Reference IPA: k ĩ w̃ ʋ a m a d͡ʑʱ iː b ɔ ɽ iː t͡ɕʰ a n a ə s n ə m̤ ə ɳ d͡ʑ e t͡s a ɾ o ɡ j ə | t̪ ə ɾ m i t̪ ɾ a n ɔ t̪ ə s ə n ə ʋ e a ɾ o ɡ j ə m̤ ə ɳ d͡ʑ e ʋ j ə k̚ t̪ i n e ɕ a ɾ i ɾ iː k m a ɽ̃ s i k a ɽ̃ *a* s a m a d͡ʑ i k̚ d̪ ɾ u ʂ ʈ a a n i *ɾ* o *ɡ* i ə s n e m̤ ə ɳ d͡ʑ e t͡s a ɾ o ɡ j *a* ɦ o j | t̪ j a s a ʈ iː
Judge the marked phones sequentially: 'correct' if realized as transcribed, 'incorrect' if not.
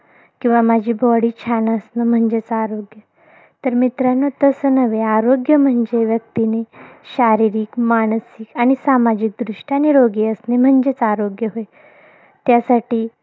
incorrect: i, correct, correct, incorrect: ə

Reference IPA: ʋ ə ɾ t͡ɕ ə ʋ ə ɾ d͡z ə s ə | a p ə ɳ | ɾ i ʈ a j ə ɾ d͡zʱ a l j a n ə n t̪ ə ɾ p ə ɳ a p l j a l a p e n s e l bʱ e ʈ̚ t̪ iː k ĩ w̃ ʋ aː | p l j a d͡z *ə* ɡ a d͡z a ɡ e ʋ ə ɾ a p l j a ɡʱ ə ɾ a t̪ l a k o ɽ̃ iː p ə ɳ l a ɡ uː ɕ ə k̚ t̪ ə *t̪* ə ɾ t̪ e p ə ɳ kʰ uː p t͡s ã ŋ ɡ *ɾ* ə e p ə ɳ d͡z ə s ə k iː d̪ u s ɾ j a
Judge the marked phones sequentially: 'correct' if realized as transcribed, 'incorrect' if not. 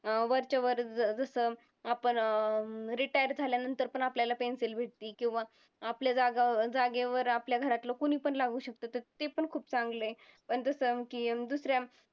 incorrect: a, correct, incorrect: l

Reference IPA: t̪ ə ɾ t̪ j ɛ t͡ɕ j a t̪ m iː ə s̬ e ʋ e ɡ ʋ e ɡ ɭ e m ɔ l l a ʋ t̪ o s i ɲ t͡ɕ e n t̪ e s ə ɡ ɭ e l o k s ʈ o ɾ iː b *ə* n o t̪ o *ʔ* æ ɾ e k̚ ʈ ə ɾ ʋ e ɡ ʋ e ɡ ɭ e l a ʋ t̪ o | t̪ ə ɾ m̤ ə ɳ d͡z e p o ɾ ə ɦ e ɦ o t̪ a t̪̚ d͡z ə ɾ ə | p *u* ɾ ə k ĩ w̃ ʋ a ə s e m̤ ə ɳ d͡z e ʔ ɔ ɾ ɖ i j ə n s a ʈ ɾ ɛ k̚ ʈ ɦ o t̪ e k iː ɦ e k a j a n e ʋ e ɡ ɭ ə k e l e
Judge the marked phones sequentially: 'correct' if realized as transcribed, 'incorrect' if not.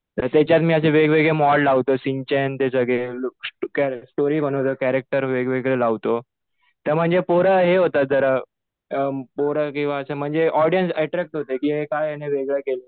correct, incorrect: k, incorrect: o

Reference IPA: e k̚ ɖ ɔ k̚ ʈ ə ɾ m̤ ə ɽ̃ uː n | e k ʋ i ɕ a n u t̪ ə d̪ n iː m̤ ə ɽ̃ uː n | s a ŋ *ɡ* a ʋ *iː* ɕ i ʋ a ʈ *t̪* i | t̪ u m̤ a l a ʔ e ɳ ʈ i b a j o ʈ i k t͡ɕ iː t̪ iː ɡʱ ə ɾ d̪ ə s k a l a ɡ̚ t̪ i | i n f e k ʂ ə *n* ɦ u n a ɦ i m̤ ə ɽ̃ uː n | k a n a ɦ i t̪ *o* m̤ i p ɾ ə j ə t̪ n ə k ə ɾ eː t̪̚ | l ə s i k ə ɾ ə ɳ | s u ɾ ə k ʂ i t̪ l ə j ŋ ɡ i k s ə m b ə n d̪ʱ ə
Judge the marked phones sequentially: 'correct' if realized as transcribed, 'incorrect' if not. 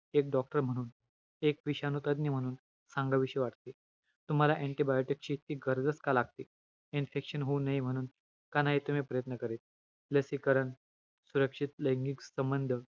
correct, incorrect: i, correct, correct, incorrect: u

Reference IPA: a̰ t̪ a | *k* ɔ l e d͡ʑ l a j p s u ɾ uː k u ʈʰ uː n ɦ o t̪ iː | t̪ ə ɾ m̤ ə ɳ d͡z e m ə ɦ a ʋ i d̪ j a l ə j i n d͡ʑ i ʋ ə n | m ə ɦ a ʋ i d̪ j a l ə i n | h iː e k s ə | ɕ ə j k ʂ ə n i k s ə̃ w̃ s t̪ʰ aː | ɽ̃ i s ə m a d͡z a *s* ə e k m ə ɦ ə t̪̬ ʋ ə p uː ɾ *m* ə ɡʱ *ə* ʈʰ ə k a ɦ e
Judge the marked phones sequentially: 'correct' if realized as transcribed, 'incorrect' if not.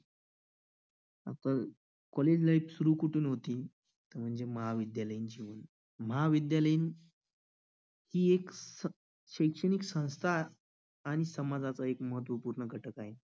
correct, incorrect: t͡s, incorrect: ɳ, correct

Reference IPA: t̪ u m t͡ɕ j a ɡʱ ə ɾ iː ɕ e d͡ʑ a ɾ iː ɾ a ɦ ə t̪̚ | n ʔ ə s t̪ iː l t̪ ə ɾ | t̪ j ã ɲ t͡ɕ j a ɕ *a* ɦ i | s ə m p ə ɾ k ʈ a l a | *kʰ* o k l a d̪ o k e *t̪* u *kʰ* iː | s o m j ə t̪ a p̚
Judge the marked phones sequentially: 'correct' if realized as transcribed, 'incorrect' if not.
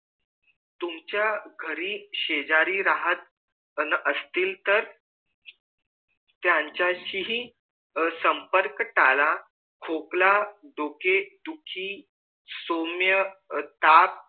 incorrect: i, correct, incorrect: d̪, correct

